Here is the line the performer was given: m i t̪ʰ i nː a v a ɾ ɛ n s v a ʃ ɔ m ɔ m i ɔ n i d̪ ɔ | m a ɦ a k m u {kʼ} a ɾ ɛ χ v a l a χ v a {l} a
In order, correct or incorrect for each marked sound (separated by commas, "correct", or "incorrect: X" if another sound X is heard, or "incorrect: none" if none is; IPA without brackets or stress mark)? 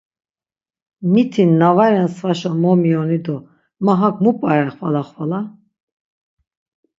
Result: incorrect: pʼ, correct